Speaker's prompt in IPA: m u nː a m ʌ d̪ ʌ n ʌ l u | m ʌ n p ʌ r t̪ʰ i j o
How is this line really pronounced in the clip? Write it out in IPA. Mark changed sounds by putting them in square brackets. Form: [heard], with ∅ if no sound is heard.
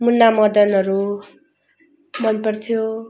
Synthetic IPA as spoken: m u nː a m ʌ d̪ ʌ n ʌ [ɾ] u | m ʌ n p ʌ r t̪ʰ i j o